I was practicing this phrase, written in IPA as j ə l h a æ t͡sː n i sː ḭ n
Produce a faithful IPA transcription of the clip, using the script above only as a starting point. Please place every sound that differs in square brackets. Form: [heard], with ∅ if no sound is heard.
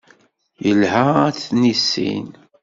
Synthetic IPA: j ə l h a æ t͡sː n i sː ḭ n